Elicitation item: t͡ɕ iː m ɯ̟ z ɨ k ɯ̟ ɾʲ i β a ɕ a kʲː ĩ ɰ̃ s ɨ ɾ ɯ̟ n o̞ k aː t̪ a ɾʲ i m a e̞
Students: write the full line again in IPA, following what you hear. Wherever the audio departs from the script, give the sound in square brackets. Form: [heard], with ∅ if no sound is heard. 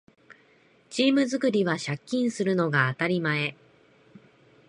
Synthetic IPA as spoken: t͡ɕ iː m ɯ̟ z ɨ k ɯ̟ ɾʲ i β a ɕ a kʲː ĩ ɰ̃ s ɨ ɾ ɯ̟ n o̞ [ɡ] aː t̪ a ɾʲ i m a e̞

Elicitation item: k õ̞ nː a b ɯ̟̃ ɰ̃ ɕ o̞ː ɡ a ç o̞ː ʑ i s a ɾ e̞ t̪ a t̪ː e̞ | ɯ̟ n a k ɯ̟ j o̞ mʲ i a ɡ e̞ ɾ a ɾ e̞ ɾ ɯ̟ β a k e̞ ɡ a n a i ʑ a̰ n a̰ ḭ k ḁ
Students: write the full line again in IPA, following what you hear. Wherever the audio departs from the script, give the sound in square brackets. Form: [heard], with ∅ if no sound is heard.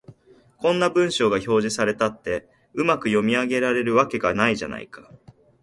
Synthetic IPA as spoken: k õ̞ nː a b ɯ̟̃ ɰ̃ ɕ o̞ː ɡ a ç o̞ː ʑ i s a ɾ e̞ t̪ a t̪ː e̞ | ɯ̟ [m] a k ɯ̟ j o̞ mʲ i a ɡ e̞ ɾ a ɾ e̞ ɾ ɯ̟ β a k e̞ ɡ a n a i ʑ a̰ n a̰ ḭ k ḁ

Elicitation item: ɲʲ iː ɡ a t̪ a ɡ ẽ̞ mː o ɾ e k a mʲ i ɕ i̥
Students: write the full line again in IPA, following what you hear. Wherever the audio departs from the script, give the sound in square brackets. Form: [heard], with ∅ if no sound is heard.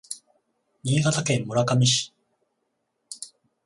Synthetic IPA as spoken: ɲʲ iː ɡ a t̪ a [k] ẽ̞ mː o ɾ [a] k a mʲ i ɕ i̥

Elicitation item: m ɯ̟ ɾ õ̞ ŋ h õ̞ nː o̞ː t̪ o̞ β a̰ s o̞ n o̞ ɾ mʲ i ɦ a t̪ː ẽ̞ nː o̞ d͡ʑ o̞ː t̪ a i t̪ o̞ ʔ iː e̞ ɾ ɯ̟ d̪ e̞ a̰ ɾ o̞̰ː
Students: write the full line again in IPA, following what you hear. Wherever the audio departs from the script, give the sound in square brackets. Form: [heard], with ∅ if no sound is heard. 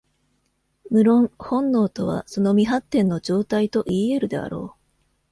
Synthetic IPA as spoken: m ɯ̟ ɾ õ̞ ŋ h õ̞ nː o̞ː t̪ o̞ β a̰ s o̞ n o̞ [∅] mʲ i ɦ a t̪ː ẽ̞ nː o̞ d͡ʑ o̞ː t̪ a i t̪ o̞ ʔ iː e̞ ɾ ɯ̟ d̪ e̞ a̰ ɾ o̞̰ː

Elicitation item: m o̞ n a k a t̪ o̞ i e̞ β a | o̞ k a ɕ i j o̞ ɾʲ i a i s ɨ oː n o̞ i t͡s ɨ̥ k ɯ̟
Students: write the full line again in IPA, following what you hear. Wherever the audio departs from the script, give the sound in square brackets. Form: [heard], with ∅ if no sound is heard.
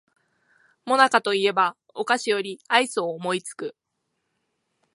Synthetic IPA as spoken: m o̞ n a k a t̪ o̞ i e̞ [b] a | o̞ k a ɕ i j o̞ ɾʲ i a i s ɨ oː [m] o̞ i t͡s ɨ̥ k ɯ̟

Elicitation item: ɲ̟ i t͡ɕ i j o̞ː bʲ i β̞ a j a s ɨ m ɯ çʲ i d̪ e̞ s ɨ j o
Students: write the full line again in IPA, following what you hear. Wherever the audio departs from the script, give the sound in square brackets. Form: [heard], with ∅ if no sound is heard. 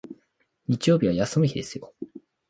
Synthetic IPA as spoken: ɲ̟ i t͡ɕ i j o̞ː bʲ i β̞ a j a s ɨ m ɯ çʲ i d̪ e̞ s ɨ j o

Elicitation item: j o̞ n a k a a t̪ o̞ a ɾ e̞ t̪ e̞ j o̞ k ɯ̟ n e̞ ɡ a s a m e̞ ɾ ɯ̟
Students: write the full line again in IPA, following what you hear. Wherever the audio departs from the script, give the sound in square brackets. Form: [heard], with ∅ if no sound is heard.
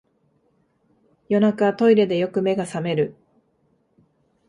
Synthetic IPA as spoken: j o̞ n a k a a t̪ o̞ [i] ɾ e̞ [d̪] e̞ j o̞ k ɯ̟ [m] e̞ ɡ a s a m e̞ ɾ ɯ̟

